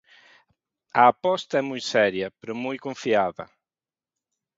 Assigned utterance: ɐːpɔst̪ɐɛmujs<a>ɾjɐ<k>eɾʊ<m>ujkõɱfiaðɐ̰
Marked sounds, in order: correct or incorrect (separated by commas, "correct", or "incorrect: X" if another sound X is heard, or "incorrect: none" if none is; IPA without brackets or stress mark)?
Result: incorrect: ɛ, incorrect: p, correct